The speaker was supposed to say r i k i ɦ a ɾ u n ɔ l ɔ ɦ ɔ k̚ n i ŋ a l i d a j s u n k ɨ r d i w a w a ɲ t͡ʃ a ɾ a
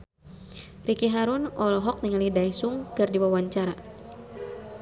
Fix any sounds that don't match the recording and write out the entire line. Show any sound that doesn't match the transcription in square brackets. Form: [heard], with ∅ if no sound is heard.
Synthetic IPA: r i k i ɦ a ɾ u n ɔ l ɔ ɦ ɔ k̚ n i ŋ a l i d a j s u [ŋ] k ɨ r d i w a w a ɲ t͡ʃ a ɾ a